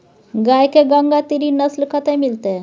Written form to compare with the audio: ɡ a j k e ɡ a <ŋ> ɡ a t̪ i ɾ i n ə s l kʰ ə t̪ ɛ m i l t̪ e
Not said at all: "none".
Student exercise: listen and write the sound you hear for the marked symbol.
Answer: ŋ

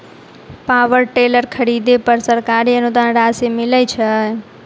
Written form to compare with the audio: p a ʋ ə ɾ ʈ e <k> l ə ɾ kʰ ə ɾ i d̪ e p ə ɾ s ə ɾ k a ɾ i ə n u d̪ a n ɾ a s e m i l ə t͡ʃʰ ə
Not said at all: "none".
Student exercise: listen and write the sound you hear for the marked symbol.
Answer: none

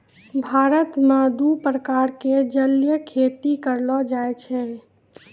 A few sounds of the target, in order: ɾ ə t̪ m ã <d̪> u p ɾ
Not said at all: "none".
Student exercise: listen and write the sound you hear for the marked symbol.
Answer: d̪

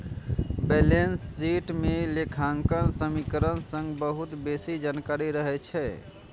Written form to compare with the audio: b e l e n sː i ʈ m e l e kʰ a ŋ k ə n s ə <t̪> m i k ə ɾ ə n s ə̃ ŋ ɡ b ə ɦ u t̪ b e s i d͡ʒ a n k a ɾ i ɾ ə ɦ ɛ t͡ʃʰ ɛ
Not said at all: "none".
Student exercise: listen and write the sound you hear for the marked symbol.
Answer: none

